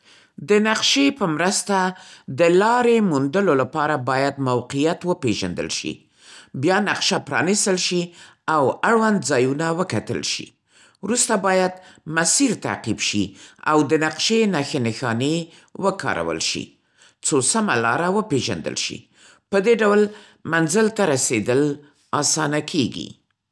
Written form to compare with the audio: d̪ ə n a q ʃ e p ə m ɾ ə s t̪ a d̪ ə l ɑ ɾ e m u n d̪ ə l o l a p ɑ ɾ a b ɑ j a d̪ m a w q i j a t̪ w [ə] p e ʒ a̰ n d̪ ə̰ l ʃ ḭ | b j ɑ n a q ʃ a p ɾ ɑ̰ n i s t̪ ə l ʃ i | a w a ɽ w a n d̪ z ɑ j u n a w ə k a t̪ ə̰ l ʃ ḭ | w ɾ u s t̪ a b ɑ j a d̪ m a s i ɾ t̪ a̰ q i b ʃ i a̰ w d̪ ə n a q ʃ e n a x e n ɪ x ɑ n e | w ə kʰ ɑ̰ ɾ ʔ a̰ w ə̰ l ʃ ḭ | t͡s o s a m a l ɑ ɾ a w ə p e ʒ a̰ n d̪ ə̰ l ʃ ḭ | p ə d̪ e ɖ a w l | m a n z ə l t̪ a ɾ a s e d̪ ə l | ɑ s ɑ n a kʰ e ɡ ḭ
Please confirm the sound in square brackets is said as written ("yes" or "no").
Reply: yes